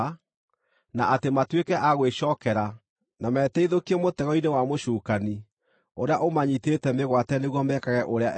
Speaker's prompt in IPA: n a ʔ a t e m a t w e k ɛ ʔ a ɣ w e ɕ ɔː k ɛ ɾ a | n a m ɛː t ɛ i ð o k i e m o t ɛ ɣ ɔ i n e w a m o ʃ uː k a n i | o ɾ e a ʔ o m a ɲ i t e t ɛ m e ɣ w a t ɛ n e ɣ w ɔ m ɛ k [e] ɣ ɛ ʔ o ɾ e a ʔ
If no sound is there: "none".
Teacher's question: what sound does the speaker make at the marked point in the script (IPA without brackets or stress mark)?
a